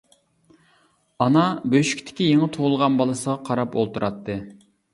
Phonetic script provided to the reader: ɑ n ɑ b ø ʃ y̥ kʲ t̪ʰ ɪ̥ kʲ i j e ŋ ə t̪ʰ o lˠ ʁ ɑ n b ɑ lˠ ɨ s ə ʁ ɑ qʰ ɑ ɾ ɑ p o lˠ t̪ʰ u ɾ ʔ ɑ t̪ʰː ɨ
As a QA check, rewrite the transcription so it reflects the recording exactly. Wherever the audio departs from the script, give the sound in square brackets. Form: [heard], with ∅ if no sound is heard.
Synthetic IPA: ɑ n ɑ b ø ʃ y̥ kʲ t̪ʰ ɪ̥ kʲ i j e ŋ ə t̪ʰ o lˠ ʁ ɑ n b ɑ lˠ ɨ s ə ʁ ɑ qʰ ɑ ɾ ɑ p o lˠ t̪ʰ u ɾ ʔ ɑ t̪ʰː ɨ

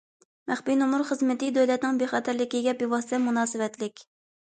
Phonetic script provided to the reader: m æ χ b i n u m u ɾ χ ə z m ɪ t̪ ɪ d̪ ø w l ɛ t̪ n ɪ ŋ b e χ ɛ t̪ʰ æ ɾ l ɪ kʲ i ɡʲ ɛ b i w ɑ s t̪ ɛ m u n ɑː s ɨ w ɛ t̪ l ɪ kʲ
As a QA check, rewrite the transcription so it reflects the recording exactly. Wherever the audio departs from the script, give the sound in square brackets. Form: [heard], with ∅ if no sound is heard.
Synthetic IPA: m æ χ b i n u m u ɾ χ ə z m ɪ t̪ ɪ d̪ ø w l ɛ t̪ n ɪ ŋ b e χ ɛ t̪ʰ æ ɾ l ɪ kʲ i ɡʲ ɛ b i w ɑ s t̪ ɛ m u n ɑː s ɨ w ɛ t̪ l ɪ kʲ

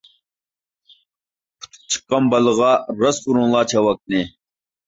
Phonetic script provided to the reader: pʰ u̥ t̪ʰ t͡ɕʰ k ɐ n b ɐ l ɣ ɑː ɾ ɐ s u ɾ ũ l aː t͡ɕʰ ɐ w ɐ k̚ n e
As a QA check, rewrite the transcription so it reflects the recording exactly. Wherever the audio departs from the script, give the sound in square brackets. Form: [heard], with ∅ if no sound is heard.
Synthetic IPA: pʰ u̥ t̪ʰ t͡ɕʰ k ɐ [m] b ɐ l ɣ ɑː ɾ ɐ s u ɾ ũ l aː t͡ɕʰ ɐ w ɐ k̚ n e

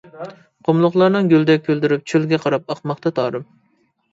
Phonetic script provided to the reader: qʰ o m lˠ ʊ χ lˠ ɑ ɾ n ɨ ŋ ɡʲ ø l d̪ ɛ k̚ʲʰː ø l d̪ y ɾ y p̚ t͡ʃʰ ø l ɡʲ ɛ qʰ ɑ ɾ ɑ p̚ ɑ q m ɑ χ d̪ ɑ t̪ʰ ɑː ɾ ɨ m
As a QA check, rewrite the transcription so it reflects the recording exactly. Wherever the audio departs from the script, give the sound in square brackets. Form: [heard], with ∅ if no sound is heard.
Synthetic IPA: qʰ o m lˠ ʊ χ lˠ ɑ ɾ n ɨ ŋ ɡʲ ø l d̪ ɛ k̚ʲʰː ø l d̪ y ɾ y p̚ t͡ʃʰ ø l ɡʲ ɛ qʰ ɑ ɾ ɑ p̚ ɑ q m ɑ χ [t̪] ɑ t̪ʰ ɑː ɾ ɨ m

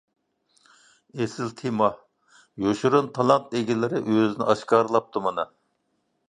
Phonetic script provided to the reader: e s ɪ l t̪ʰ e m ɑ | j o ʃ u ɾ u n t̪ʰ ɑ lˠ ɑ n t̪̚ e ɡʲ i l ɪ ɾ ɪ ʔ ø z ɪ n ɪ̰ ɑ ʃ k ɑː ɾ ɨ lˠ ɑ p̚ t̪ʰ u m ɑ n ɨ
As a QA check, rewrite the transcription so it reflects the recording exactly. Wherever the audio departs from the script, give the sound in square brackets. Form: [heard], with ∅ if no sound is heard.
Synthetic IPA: e s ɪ l t̪ʰ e m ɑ | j o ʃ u ɾ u n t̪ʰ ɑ lˠ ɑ n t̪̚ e ɡʲ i l ɪ ɾ ɪ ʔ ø z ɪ n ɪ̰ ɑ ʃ k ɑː ɾ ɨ lˠ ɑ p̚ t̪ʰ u m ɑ n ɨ

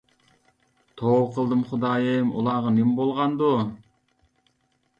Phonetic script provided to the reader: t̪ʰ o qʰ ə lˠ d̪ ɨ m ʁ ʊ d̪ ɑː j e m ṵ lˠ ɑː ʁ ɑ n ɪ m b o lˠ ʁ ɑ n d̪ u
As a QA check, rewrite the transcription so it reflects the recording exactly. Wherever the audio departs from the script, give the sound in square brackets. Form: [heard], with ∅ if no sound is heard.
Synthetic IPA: t̪ʰ o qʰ ə lˠ d̪ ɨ m [χ] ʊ d̪ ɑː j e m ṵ lˠ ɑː ʁ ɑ n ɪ m b o lˠ ʁ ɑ n d̪ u

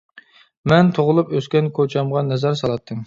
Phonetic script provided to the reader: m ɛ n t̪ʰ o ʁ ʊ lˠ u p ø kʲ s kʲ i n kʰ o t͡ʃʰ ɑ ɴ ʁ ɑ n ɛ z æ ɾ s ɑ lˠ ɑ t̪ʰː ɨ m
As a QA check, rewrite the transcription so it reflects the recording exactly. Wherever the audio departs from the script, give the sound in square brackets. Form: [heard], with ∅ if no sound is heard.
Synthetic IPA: m ɛ n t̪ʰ o ʁ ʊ lˠ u p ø [∅] s kʲ [ɛ] n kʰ o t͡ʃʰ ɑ [m] ʁ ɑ n ɛ z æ ɾ s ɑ lˠ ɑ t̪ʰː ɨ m

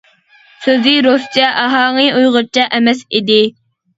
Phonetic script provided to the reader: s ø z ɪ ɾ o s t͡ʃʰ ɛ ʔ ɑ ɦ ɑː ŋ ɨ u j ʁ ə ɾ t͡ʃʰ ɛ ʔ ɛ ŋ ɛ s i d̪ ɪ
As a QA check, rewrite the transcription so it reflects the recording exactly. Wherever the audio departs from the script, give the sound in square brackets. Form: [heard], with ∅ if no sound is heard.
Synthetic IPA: s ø z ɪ ɾ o s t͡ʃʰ ɛ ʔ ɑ ɦ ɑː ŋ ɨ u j ʁ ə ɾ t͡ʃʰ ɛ ʔ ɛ [m] ɛ s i d̪ ɪ

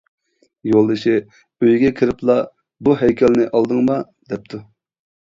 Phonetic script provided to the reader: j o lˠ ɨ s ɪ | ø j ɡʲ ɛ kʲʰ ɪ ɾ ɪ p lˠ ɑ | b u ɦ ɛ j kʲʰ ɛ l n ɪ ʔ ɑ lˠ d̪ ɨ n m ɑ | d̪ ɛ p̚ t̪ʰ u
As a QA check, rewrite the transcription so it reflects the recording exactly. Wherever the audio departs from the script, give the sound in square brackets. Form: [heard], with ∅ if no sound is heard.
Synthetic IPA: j o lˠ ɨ [ʃ] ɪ | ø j ɡʲ ɛ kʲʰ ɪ ɾ ɪ p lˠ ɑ | b u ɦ ɛ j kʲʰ ɛ l n ɪ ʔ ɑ lˠ d̪ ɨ [ŋ] m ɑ | d̪ ɛ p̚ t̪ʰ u

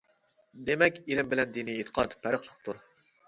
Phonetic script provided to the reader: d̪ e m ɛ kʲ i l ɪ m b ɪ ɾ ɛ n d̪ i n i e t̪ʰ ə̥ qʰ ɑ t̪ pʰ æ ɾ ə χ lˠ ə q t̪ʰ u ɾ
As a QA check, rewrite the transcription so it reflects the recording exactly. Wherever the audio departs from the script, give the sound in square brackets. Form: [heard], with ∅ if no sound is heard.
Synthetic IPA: d̪ e m ɛ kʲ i l ɪ m b ɪ [l] ɛ n d̪ i n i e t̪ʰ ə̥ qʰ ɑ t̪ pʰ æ ɾ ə χ lˠ ə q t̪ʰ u ɾ

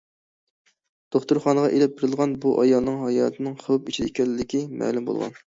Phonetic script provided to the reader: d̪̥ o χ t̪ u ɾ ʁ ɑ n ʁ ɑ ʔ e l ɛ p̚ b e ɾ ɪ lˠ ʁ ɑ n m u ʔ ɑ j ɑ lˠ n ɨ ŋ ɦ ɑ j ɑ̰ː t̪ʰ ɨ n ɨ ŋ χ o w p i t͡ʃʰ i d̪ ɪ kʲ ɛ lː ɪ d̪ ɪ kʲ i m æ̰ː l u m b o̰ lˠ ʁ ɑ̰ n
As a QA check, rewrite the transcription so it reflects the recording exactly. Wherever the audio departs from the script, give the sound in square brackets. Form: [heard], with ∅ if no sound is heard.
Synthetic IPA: d̪̥ o χ t̪ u ɾ [χ] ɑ n ʁ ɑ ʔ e l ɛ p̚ b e ɾ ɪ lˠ ʁ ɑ n [b] u ʔ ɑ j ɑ lˠ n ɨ ŋ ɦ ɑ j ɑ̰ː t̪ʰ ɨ n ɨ ŋ χ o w p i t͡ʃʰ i d̪ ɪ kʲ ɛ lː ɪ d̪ ɪ kʲ i m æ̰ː l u m b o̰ lˠ ʁ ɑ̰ n

